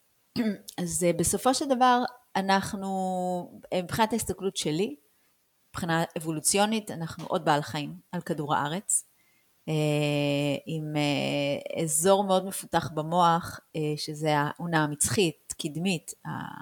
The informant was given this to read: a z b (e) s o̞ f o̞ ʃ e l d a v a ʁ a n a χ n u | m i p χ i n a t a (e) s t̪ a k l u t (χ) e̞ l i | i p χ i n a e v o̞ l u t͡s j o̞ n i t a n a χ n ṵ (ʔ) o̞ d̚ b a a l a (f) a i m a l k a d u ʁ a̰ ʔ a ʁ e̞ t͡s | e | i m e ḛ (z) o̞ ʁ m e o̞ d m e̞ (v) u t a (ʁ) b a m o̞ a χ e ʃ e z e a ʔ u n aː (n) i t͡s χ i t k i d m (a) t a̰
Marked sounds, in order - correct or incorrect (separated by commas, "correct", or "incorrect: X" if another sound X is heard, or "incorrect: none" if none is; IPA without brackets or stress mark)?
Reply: correct, incorrect: i, incorrect: ʃ, correct, incorrect: χ, correct, incorrect: f, incorrect: χ, incorrect: m, incorrect: i